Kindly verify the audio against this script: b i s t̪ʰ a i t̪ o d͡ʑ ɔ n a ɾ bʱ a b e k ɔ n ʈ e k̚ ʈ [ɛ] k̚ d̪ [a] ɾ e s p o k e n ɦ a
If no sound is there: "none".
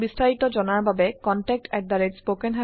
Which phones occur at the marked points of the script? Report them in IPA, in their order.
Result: ɛ, a

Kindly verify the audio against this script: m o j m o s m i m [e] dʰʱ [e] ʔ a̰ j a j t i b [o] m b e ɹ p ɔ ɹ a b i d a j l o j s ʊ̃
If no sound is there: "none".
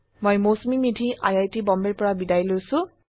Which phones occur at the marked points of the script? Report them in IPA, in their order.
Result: i, i, ɔ

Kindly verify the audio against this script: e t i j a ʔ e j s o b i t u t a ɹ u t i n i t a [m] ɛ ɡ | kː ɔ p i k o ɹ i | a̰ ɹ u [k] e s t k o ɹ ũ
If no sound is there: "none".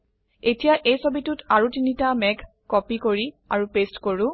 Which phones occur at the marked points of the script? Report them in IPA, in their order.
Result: m, p

